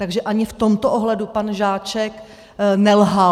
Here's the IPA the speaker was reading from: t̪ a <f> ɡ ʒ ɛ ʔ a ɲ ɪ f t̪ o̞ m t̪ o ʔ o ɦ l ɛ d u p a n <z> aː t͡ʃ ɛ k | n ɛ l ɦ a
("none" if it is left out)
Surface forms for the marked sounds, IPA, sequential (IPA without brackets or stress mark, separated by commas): none, ʒ